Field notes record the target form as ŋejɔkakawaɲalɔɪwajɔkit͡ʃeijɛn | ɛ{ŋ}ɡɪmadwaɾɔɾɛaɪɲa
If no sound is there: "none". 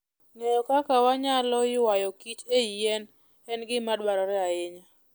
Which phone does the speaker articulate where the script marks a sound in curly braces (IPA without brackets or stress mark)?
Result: n